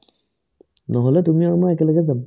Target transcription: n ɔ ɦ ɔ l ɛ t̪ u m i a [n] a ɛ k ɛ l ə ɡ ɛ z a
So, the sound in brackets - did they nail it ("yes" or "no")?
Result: no